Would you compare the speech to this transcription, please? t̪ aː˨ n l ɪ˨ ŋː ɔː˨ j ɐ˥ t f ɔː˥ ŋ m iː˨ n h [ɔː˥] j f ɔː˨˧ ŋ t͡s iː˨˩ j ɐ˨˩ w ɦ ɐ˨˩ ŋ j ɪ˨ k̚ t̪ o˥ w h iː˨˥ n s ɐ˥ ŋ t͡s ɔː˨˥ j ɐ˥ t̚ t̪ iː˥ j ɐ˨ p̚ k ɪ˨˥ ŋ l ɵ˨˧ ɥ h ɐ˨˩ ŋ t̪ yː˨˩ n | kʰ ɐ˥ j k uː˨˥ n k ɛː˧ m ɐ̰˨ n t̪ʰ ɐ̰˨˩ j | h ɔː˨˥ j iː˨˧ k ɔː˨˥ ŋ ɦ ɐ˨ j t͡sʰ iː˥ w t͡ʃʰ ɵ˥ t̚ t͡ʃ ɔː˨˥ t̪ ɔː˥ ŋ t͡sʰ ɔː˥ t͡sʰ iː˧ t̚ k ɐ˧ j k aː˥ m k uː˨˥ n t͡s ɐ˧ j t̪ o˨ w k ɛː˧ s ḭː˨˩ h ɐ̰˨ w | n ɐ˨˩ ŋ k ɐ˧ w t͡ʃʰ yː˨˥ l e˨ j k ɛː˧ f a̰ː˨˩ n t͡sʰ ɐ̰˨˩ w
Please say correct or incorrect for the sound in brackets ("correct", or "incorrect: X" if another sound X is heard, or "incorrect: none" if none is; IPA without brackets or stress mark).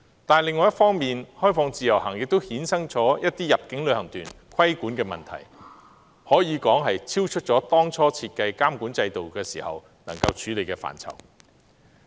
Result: correct